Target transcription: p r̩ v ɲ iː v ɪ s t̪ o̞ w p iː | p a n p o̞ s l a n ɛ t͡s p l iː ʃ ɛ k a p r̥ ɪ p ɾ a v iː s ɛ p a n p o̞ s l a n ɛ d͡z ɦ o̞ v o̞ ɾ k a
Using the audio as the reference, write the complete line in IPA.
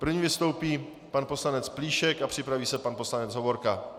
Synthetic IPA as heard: p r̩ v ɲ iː v ɪ s t̪ o̞ w p iː | p a n p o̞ s l a n ɛ t͡s p l iː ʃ ɛ k a p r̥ ɪ p ɾ a v iː s ɛ p a n p o̞ s l a n ɛ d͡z ɦ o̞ v o̞ ɾ k a